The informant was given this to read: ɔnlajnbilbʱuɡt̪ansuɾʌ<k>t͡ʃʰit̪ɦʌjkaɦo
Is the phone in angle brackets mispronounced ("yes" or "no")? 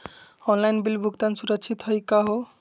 no